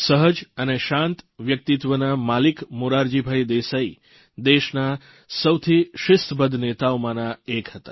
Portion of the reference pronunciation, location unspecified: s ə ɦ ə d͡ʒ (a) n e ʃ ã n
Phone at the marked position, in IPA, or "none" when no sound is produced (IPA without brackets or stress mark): ə